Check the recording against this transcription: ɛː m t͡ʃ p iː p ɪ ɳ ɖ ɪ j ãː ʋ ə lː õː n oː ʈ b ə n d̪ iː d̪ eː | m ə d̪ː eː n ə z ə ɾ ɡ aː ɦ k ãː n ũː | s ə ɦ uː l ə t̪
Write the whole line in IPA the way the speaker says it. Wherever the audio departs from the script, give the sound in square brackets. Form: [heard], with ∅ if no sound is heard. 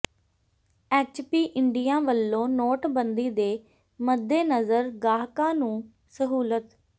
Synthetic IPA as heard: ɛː [∅] t͡ʃ p iː [ʔ] ɪ ɳ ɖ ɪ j ãː ʋ ə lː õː n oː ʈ b ə n d̪ iː d̪ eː | m ə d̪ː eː n ə z ə ɾ ɡ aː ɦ k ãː n ũː | s ə ɦ uː l ə t̪

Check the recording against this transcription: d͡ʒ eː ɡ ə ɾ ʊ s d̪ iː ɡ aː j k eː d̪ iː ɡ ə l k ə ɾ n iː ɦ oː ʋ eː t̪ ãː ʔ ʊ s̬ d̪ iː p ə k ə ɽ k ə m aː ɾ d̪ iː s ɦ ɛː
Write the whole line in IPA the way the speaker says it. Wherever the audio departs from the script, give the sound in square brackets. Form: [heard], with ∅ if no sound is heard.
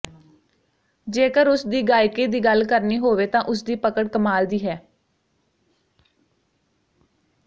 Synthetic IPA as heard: d͡ʒ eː [k] ə ɾ ʊ s d̪ iː ɡ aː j k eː d̪ iː ɡ ə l k ə ɾ n iː ɦ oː ʋ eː t̪ ãː ʔ ʊ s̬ d̪ iː p ə k ə ɽ k ə m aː [l] d̪ iː [∅] ɦ ɛː

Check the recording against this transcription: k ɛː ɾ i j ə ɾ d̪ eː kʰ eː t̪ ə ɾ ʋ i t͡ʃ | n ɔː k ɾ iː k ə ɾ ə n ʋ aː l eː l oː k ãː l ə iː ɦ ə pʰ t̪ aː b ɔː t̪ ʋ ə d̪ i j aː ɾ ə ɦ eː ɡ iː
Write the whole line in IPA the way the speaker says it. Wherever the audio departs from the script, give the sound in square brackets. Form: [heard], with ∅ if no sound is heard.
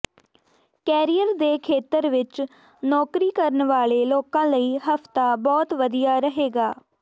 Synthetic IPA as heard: k ɛː ɾ i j ə ɾ d̪ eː kʰ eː t̪ ə ɾ ʋ [ɪ] t͡ʃ | n ɔː k ɾ iː k ə ɾ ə n ʋ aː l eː l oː k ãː l ə iː ɦ ə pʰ t̪ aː b ɔː t̪ ʋ ə d̪ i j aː ɾ ə ɦ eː ɡ [aː]

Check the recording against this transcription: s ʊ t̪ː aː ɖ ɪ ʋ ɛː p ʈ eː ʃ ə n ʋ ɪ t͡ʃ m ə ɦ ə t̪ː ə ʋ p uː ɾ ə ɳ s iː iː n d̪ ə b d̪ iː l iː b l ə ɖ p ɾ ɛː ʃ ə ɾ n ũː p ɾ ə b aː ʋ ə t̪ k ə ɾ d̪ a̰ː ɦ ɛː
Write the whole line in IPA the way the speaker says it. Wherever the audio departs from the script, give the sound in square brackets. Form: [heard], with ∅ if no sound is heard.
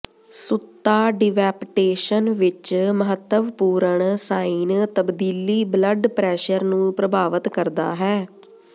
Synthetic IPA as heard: s ʊ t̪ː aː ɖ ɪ ʋ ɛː p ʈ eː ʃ ə n ʋ ɪ t͡ʃ m ə ɦ ə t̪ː ə ʋ p uː ɾ ə ɳ s [aː] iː n [t̪] ə b d̪ iː l iː b l ə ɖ p ɾ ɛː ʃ ə ɾ n ũː p ɾ ə b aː ʋ ə t̪ k ə ɾ d̪ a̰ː ɦ ɛː

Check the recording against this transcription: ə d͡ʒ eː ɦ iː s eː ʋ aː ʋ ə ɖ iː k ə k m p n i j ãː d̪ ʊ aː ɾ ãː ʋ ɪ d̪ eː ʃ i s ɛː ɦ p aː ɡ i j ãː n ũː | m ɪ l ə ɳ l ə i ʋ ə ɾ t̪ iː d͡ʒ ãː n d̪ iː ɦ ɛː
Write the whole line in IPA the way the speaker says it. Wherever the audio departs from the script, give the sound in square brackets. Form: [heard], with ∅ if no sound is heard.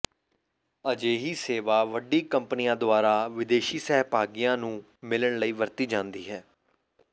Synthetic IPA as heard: ə d͡ʒ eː ɦ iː s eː ʋ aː ʋ ə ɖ iː k ə [∅] m p n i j ãː d̪ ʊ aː ɾ [aː] ʋ ɪ d̪ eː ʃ [iː] s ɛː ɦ p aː ɡ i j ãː n ũː | m ɪ l ə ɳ l ə [iː] ʋ ə ɾ t̪ iː d͡ʒ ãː n d̪ iː ɦ ɛː

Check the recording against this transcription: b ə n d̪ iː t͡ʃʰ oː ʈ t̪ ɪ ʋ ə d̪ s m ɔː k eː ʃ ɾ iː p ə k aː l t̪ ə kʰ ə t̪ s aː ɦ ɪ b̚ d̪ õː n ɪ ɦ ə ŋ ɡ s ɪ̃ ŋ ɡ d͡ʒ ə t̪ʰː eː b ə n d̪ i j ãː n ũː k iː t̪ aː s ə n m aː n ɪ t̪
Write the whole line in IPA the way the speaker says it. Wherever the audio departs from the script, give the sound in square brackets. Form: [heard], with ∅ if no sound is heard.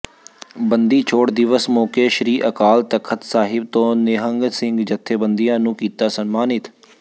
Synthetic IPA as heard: b ə n d̪ iː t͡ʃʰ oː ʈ [d̪] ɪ ʋ ə [∅] s m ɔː k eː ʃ ɾ iː [ʔ] ə k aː l t̪ ə kʰ ə t̪ s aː ɦ ɪ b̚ [t̪] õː n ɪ ɦ ə ŋ ɡ s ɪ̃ ŋ ɡ d͡ʒ ə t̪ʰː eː b ə n d̪ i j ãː n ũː k iː t̪ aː s ə n m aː n ɪ t̪

